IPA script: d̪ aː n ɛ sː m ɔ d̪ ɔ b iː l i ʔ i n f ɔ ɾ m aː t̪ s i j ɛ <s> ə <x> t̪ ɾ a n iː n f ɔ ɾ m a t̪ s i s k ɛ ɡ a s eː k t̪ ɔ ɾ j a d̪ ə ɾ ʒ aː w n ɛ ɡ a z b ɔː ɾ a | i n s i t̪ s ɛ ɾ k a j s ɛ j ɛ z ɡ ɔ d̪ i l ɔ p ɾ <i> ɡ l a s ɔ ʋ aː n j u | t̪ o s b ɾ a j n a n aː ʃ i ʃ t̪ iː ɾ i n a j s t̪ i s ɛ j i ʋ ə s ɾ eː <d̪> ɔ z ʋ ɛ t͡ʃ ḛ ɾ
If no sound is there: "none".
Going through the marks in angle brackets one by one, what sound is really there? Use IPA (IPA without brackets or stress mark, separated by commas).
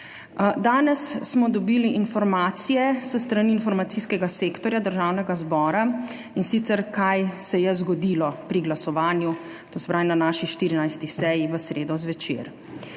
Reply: s, s, i, d̪